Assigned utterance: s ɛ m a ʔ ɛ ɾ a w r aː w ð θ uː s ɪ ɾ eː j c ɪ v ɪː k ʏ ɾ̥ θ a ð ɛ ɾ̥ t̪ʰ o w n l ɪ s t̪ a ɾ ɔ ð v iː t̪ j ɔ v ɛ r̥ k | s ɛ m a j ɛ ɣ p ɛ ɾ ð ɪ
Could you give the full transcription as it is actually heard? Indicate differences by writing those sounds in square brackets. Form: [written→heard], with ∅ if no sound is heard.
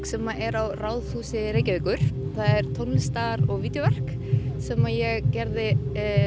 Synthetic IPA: s ɛ m a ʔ ɛ ɾ a w r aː w ð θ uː s ɪ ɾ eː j c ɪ v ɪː k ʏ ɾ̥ θ a ð ɛ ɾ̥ t̪ʰ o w n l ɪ s t̪ a ɾ ɔ [ð→ɣ] v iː t̪ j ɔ v ɛ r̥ k | s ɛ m a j ɛ ɣ [p→c] ɛ ɾ ð ɪ